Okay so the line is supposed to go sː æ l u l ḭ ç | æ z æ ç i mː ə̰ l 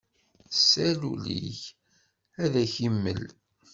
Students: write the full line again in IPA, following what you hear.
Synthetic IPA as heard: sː æ l u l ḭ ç | æ ð æ ç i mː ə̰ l